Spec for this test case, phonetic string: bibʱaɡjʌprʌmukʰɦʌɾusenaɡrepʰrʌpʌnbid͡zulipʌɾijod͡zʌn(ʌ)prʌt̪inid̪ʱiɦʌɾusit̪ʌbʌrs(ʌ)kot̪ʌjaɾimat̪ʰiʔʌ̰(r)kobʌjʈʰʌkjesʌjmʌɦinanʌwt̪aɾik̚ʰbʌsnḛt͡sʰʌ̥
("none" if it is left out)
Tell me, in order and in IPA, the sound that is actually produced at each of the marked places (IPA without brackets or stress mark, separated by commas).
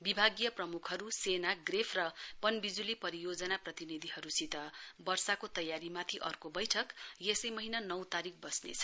a, a, r